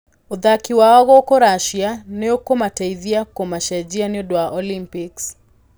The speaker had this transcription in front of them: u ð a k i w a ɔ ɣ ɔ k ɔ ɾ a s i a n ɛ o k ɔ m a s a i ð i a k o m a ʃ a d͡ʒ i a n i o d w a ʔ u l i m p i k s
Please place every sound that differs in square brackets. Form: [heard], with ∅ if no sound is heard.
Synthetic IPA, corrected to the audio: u ð a k i w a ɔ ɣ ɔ k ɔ ɾ a [ʃ] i a n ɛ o k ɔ m a [t] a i ð i a k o m a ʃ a d͡ʒ i a n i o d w a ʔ [ɔ] l i m p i k s